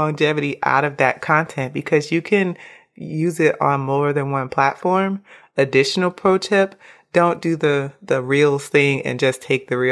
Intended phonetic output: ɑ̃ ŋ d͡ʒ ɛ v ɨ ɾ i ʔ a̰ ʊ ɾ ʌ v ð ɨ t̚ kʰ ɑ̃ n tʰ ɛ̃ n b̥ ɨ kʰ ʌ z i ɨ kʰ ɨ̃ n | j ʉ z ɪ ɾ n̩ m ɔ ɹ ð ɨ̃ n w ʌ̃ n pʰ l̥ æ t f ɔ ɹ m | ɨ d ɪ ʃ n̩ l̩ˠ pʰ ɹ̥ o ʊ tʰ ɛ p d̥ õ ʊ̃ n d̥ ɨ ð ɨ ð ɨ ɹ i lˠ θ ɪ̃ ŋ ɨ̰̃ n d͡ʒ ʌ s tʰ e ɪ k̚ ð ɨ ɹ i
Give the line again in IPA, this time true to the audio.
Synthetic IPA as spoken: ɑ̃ ŋ d͡ʒ ɛ v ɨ ɾ i ʔ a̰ ʊ ɾ ʌ v ð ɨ t̚ kʰ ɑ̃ n tʰ ɛ̃ n b̥ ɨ kʰ ʌ z j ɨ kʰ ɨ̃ n | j ʉ z ɪ ɾ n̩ m ɔ ɹ ð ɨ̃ n w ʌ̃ n pʰ l̥ æ t f ɔ ɹ m | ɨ d ɪ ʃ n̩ l̩ˠ pʰ ɹ̥ o ʊ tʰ ɛ p d̥ õ ʊ̃ n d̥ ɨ ð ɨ ð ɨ ɹ i lˠ θ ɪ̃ ŋ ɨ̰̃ n d͡ʒ ʌ s tʰ e ɪ k̚ ð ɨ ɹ i